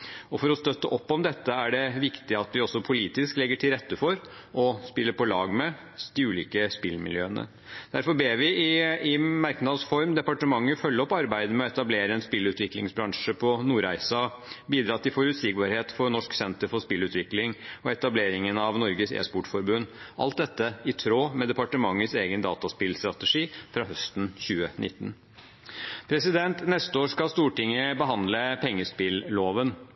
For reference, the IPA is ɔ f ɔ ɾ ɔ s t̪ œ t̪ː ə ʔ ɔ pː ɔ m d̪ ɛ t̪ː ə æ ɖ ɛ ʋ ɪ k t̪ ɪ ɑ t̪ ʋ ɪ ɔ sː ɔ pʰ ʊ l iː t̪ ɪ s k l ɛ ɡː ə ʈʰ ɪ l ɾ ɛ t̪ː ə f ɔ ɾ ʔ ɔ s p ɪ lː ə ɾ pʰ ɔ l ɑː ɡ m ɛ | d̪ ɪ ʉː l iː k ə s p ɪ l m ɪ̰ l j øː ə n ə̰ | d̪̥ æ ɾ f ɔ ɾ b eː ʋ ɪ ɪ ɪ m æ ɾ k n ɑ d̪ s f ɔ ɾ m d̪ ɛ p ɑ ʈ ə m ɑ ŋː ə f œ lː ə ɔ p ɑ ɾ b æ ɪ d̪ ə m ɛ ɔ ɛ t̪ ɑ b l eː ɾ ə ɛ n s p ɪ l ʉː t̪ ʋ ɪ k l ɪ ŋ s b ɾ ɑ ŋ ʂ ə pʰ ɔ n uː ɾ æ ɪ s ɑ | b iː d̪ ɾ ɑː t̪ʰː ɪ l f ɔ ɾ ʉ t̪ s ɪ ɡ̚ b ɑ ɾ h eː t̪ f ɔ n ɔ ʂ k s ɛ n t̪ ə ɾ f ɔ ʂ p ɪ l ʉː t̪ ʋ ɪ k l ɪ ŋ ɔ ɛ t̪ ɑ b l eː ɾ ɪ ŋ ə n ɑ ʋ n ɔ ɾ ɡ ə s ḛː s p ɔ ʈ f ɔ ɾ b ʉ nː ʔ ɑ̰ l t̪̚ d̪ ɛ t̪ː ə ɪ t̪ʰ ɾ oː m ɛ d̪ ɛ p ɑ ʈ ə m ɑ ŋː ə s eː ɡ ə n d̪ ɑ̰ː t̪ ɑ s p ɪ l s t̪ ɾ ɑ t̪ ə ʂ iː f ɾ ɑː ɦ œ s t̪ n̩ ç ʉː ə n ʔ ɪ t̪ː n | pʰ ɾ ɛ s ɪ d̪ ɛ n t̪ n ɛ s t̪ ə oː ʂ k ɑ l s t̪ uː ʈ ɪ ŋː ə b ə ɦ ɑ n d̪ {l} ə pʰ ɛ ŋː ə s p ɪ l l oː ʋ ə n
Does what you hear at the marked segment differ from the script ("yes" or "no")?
no